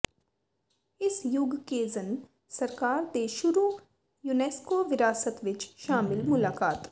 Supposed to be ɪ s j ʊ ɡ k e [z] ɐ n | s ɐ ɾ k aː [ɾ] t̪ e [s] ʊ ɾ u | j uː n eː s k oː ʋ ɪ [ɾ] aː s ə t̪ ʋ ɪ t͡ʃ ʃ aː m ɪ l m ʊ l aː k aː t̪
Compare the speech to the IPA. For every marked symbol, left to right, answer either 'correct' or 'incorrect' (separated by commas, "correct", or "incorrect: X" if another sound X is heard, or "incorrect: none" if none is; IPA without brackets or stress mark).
correct, correct, incorrect: ʃ, correct